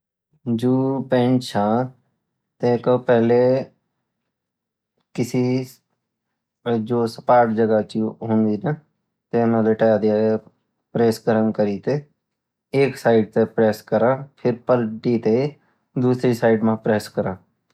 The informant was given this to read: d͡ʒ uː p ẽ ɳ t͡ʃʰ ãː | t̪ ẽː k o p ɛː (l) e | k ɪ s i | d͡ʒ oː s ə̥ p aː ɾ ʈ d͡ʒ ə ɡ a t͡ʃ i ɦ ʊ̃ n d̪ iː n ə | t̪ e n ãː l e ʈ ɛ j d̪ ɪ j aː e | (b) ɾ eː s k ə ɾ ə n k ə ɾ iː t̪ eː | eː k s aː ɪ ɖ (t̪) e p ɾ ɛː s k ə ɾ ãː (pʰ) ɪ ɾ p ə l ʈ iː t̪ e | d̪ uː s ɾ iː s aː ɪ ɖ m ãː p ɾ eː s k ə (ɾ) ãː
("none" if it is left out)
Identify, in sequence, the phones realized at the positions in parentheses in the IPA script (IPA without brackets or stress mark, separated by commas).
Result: l, p, t̪, pʰ, ɾ